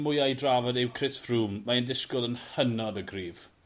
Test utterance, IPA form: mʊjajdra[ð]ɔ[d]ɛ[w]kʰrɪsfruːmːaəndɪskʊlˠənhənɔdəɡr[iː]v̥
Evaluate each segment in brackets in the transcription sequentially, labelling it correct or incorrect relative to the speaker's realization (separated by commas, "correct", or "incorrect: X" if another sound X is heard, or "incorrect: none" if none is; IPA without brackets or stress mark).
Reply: incorrect: v, correct, correct, correct